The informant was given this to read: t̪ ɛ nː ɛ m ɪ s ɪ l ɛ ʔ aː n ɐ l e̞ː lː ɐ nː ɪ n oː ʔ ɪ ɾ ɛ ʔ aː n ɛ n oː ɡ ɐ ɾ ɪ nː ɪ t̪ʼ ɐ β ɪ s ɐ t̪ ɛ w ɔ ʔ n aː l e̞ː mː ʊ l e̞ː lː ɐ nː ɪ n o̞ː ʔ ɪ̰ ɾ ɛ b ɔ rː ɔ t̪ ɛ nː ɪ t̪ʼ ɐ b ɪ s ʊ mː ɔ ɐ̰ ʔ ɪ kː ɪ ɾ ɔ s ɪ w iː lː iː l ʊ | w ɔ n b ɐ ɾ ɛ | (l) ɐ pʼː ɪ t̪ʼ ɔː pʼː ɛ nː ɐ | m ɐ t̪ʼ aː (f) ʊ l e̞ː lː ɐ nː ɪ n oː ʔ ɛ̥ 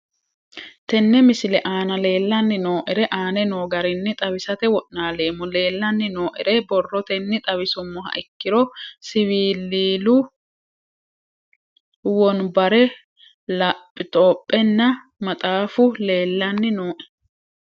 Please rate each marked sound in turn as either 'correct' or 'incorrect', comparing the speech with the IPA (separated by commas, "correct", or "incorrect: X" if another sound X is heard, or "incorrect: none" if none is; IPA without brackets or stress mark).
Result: correct, correct